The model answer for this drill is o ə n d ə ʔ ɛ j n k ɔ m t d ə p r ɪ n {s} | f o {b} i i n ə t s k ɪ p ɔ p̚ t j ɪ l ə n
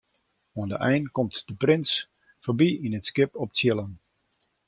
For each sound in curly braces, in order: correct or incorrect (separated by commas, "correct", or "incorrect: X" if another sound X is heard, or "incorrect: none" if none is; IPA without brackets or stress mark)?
correct, correct